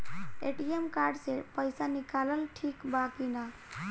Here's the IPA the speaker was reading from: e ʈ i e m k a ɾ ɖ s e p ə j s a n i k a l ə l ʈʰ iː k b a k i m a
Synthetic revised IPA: e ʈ i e m k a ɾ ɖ s e p ə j s a n i k a l ə l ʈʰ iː k b a k i n a